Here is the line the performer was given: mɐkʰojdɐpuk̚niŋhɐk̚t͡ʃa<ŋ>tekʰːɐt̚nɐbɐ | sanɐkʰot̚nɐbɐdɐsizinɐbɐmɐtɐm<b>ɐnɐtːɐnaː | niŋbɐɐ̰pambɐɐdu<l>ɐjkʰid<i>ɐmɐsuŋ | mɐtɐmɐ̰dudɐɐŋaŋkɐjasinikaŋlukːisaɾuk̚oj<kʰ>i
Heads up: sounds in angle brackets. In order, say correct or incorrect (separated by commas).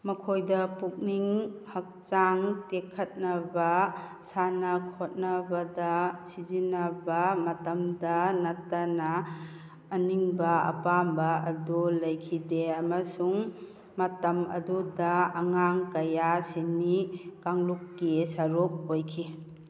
correct, incorrect, correct, incorrect, correct